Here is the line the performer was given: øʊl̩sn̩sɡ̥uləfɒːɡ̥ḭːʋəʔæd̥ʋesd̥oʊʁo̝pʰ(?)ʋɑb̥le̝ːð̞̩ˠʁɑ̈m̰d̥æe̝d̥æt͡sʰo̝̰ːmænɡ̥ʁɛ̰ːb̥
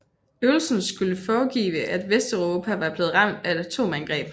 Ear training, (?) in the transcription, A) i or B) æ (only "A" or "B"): B